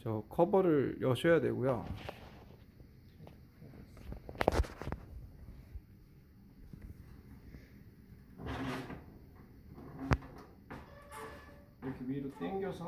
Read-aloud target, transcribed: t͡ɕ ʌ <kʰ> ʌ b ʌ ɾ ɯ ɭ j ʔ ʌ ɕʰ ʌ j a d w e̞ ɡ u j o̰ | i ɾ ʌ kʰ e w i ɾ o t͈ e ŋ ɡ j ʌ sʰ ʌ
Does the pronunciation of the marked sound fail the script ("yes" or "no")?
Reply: no